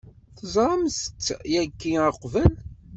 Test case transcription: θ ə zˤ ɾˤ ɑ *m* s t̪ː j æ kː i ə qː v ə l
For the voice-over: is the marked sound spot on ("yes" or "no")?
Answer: yes